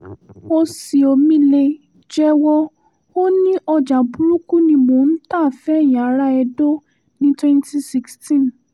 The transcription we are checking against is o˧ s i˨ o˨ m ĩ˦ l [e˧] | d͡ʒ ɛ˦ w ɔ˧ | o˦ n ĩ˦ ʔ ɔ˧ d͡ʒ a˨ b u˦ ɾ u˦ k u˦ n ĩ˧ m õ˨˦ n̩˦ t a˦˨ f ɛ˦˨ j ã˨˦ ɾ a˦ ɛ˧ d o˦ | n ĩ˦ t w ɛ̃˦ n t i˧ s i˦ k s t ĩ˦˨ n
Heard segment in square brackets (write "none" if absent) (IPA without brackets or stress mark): e˧